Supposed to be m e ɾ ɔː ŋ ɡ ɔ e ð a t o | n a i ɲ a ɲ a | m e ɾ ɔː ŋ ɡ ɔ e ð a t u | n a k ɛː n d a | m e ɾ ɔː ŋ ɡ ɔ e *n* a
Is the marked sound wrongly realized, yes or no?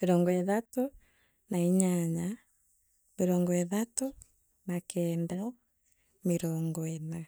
no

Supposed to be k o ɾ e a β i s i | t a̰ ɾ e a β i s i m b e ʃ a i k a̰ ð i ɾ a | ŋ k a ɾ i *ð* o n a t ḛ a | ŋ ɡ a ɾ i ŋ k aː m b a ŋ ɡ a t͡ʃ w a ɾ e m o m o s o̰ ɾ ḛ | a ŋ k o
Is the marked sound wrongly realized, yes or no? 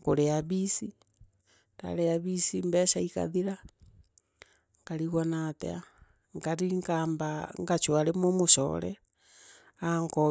yes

